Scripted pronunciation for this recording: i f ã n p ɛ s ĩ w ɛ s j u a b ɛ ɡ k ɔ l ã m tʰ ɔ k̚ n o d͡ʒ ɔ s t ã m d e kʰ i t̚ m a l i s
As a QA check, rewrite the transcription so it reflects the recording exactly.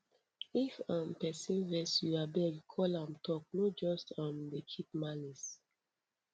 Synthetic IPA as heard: i f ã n p ɛ s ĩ v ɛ s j u a b ɛ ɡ kʰ ɔ l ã m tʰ ɔ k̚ n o d͡ʒ ɔ s t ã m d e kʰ i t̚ m a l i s